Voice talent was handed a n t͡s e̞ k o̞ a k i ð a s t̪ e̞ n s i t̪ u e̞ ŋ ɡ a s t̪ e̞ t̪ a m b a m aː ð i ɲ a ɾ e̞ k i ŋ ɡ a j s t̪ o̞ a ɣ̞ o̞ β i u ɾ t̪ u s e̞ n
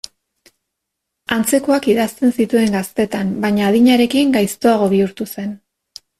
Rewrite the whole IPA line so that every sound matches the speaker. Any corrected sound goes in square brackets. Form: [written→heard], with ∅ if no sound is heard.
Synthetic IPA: a n t͡s e̞ k o̞ a k i ð a s t̪ e̞ n s i t̪ u e̞ ŋ ɡ a s t̪ e̞ t̪ a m b a [m→ɲ] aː ð i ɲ a ɾ e̞ k i ŋ ɡ a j s t̪ o̞ a ɣ̞ o̞ β i u ɾ t̪ u s e̞ n